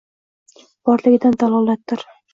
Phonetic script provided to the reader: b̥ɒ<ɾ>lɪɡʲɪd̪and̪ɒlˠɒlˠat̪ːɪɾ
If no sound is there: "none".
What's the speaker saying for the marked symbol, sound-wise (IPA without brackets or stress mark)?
ɾ